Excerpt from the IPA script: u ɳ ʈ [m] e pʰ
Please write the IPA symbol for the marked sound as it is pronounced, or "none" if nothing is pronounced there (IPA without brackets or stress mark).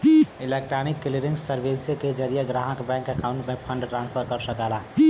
m